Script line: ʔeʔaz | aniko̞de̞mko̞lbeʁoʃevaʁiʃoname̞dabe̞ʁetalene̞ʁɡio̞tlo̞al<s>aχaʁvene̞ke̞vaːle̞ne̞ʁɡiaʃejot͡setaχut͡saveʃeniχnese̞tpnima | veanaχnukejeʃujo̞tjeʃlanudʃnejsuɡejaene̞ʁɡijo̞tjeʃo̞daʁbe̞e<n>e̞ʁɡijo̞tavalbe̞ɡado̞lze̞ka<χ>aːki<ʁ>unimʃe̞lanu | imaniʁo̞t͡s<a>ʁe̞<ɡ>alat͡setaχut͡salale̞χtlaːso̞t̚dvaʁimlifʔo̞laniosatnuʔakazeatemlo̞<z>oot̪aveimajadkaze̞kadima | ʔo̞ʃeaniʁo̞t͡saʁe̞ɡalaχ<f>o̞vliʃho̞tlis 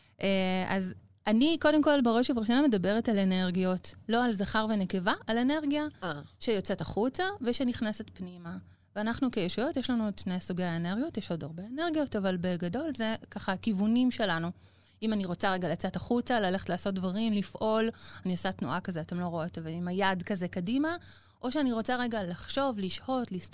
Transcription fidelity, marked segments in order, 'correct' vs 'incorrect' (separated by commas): incorrect, correct, correct, incorrect, correct, correct, incorrect, incorrect